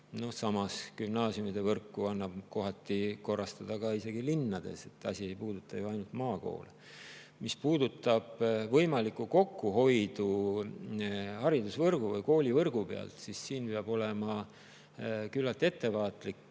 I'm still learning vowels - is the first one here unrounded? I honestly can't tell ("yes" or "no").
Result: no